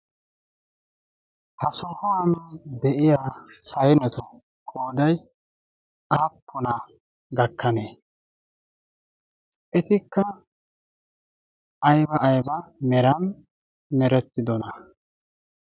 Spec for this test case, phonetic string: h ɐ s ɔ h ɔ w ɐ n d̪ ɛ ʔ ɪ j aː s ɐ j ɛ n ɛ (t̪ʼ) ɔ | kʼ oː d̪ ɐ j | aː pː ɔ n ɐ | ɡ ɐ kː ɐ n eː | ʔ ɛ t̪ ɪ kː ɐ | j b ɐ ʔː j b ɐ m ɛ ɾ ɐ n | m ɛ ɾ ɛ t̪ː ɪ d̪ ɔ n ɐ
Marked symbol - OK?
no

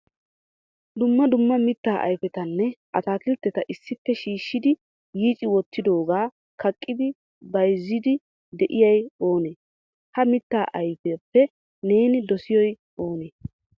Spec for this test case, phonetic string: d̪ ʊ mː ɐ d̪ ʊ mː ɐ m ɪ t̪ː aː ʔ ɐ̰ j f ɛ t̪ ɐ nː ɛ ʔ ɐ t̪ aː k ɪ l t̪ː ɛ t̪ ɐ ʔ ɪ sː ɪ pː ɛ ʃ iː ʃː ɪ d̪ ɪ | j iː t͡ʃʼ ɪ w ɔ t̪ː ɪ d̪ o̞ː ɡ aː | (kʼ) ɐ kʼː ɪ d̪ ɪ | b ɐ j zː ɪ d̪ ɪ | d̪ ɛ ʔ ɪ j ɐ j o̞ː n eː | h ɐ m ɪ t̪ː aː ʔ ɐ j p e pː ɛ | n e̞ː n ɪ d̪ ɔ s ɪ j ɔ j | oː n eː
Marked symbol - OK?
no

